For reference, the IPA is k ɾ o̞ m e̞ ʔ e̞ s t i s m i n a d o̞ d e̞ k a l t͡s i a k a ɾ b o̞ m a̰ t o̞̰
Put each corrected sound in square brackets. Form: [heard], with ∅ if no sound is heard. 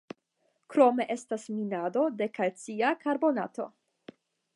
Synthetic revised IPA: k ɾ o̞ m e̞ ʔ e̞ s t [a] s m i n a d o̞ d e̞ k a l t͡s i a k a ɾ b o̞ [n] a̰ t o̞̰